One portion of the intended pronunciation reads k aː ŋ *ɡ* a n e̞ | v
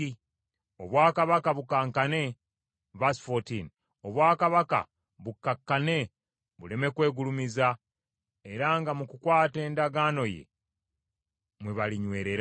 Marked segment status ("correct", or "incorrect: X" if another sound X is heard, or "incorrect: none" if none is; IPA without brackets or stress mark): incorrect: k